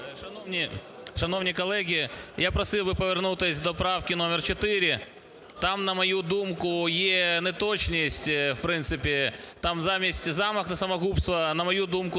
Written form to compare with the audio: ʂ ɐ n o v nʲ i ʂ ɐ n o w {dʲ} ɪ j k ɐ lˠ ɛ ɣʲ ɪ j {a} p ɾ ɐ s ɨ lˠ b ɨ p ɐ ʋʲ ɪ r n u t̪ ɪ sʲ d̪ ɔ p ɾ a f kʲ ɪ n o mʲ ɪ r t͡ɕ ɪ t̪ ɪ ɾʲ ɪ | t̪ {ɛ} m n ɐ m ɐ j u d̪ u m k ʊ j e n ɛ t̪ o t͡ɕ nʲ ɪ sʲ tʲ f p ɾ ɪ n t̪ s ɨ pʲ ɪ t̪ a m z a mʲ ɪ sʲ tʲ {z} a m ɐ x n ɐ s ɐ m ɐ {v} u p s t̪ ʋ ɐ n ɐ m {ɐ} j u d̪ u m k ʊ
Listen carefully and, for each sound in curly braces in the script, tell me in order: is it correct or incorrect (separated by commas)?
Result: incorrect, correct, incorrect, correct, incorrect, correct